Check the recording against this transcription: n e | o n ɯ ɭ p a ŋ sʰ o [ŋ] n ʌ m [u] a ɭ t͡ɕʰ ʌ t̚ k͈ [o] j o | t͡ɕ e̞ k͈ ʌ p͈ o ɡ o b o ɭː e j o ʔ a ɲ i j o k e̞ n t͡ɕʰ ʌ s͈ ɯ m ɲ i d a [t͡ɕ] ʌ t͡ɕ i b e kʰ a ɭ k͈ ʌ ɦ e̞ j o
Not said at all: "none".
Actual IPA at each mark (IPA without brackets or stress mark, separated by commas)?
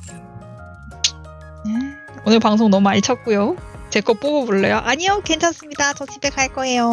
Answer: ŋ, u, u, t͡ɕ